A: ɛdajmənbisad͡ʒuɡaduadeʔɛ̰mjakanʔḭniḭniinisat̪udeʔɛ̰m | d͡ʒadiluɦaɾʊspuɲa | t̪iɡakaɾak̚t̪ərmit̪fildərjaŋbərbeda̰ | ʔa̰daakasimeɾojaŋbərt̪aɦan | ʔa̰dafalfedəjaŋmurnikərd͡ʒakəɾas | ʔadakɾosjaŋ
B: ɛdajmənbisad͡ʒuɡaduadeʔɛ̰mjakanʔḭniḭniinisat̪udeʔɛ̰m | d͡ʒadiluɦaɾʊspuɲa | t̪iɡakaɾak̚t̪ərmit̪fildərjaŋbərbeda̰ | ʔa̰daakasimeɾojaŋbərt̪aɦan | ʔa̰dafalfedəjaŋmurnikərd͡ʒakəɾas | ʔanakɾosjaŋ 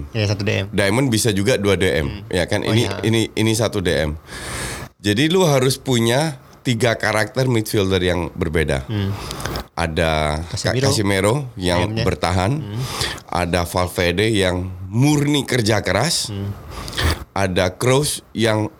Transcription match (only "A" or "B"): A